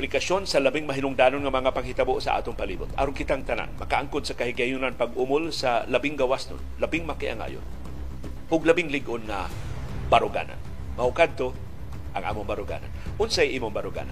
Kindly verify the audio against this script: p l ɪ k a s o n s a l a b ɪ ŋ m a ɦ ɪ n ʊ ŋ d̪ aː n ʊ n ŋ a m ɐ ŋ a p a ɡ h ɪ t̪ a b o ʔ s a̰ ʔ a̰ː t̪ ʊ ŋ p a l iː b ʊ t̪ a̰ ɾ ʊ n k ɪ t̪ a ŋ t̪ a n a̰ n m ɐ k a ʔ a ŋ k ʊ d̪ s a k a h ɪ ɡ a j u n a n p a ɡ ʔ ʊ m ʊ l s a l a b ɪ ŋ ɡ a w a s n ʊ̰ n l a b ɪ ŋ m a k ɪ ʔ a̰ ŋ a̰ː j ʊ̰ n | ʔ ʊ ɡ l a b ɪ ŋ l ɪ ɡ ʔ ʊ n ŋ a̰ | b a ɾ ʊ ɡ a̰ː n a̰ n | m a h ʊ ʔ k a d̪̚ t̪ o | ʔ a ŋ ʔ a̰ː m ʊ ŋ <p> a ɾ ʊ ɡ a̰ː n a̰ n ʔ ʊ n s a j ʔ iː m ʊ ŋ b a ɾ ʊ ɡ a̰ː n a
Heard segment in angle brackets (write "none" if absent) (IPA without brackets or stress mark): b